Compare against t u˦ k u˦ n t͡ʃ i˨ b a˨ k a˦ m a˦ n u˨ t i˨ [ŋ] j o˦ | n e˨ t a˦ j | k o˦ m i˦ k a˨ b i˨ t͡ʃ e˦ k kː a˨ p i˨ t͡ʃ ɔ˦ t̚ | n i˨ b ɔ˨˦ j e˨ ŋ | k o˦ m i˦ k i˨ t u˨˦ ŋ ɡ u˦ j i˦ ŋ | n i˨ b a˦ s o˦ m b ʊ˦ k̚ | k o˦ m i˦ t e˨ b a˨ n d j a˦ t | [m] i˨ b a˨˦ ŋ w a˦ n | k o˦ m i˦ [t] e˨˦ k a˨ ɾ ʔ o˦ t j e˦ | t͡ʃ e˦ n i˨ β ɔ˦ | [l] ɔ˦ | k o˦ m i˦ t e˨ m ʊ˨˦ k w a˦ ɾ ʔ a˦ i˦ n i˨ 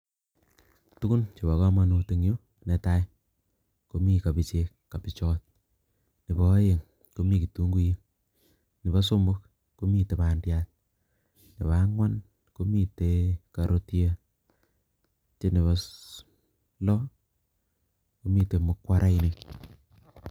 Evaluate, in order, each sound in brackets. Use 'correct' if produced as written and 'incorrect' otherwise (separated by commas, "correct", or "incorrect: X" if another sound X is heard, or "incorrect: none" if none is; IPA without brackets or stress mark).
correct, incorrect: n, correct, correct